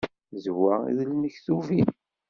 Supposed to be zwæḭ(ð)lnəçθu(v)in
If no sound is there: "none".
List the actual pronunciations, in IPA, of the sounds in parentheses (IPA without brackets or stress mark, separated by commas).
ð, v